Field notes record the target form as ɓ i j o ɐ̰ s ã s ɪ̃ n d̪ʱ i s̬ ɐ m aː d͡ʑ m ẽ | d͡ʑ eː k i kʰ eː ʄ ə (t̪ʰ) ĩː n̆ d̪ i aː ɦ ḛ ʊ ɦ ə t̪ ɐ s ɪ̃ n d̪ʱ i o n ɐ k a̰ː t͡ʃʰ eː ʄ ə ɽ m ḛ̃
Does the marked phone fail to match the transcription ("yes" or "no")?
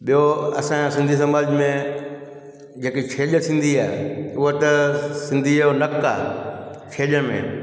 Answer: no